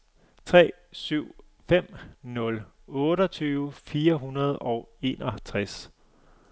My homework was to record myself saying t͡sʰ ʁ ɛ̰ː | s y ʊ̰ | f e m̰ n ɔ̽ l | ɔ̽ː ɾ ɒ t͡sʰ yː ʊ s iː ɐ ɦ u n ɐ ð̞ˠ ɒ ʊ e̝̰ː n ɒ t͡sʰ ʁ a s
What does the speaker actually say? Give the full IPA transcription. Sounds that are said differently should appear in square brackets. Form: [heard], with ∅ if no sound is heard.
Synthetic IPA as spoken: t͡sʰ ʁ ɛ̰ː | s y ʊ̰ | f e m̰ n ɔ̽ l | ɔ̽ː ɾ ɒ t͡sʰ yː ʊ [f] iː ɐ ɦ u n ɐ ð̞ˠ ɒ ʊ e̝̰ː n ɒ t͡sʰ ʁ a s